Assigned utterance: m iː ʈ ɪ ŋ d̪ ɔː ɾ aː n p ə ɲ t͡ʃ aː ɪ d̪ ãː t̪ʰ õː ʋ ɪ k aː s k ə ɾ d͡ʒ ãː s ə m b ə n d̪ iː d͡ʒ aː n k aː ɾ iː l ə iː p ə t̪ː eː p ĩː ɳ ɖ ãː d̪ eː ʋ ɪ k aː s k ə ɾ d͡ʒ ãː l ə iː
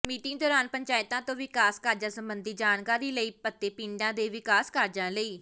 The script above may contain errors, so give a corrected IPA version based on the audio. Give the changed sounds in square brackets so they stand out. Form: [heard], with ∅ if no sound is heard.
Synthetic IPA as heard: m iː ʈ ɪ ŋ d̪ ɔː ɾ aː n p ə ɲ t͡ʃ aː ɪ [t̪] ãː [t̪] õː ʋ ɪ k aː s k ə ɾ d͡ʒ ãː s ə m b ə n d̪ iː d͡ʒ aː n k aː ɾ iː l ə iː p ə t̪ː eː p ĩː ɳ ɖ ãː d̪ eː ʋ ɪ k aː s k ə ɾ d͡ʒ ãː l ə iː